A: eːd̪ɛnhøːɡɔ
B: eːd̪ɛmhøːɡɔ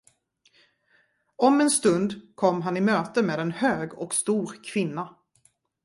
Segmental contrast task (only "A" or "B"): A